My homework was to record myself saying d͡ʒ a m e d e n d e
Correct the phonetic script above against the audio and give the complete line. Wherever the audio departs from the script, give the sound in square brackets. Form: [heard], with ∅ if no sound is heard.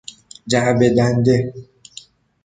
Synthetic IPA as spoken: d͡ʒ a [b] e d [a] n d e